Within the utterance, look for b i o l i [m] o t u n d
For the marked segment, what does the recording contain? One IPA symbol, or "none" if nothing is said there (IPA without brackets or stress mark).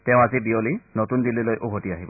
n